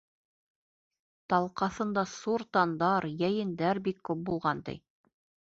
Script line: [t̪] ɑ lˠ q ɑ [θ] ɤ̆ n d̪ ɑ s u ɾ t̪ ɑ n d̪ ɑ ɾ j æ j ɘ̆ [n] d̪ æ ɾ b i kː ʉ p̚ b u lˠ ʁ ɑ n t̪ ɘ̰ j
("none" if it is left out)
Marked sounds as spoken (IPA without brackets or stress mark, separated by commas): t̪, θ, n